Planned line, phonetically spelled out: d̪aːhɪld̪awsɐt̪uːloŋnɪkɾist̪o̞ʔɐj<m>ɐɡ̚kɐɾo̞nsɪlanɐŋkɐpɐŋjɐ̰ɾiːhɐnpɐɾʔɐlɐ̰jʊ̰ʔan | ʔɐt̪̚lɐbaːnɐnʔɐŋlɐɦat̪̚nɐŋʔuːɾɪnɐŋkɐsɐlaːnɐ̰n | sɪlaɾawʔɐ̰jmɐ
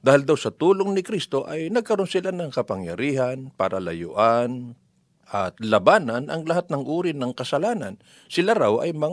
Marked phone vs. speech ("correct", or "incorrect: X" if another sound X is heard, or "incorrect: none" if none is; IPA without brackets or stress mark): incorrect: n